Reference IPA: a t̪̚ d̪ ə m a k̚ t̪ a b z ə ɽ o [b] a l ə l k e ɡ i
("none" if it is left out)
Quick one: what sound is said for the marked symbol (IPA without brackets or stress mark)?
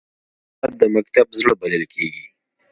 b